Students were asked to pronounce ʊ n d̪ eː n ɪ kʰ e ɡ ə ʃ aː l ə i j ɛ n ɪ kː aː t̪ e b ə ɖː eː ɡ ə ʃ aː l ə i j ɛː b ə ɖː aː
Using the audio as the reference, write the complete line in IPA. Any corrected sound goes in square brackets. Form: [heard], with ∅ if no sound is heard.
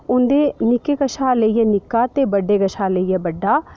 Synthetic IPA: ʊ n d̪ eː n ɪ [k] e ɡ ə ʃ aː l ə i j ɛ n ɪ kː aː t̪ e b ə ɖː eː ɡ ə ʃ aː l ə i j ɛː b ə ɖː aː

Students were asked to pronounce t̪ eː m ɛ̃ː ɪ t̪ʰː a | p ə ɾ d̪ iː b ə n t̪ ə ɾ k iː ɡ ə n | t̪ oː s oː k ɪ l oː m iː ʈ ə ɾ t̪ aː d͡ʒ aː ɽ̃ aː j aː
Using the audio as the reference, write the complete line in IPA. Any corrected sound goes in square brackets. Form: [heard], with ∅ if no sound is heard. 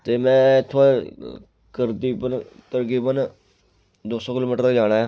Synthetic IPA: t̪ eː m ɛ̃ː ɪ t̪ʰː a | [k] ə ɾ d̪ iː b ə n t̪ ə ɾ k iː [b] ə n | [d̪] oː s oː k ɪ l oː m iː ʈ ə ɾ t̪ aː d͡ʒ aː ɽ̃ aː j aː

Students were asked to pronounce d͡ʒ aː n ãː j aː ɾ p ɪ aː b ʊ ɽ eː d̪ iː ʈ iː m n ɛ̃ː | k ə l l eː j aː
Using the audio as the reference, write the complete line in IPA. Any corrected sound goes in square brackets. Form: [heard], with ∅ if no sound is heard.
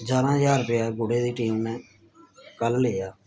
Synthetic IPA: d͡ʒ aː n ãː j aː ɾ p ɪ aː [ɡ] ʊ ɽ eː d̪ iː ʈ iː m n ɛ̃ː | k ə l l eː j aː

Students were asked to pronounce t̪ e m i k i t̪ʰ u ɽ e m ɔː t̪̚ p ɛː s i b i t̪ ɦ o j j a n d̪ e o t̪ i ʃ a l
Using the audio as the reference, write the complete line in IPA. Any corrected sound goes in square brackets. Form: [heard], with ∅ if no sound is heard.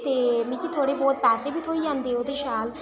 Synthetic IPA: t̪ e m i k i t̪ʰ [o] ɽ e [b] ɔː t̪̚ p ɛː s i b i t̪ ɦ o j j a n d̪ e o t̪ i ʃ a l

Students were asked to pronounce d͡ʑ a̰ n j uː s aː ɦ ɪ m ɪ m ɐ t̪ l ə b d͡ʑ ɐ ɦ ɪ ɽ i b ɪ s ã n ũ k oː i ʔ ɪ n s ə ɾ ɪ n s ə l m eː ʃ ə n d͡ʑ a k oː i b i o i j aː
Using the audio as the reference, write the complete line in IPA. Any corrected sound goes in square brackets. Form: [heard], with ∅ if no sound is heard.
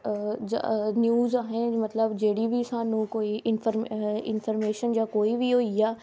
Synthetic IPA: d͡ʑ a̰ n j uː [z] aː ɦ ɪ [n] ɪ m ɐ t̪ l ə b d͡ʑ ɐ ɦ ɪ ɽ i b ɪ s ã n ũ k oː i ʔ ɪ n [f] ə ɾ ɪ n [f] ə [ɾ] m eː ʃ ə n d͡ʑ a k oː i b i o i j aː

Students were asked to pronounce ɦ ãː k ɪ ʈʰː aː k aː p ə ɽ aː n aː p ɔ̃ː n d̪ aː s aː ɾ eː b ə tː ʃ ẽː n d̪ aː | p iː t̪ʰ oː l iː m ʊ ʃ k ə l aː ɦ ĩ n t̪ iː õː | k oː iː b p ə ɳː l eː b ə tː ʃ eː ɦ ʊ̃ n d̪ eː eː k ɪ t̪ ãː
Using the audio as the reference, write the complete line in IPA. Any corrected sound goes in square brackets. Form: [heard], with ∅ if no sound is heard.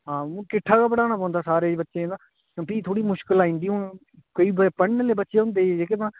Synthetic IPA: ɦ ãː k ɪ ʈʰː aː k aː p ə ɽ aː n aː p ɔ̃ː n d̪ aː s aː ɾ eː b ə tː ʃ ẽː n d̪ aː | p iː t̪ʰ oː [ɽ] iː m ʊ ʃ k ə l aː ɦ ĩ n [d̪] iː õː | k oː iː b p ə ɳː l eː b ə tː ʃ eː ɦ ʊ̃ n d̪ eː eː k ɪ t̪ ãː

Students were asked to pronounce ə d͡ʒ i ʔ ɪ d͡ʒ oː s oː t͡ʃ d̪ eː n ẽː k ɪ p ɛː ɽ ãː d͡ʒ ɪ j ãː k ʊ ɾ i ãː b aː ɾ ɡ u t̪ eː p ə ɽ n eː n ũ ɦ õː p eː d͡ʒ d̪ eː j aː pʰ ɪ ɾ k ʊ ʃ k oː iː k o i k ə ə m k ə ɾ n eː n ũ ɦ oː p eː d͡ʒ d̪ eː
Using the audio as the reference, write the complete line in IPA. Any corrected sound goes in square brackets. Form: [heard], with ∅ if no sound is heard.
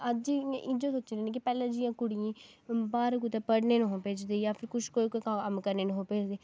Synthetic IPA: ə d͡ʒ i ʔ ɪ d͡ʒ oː s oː t͡ʃ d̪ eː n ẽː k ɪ p ɛː [l] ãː d͡ʒ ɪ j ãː k ʊ [ɽ] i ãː b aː ɾ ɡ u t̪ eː p ə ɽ n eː n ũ ɦ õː p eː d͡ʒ d̪ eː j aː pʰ ɪ ɾ k ʊ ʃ k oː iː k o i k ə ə m k ə ɾ n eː n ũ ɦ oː p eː d͡ʒ d̪ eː

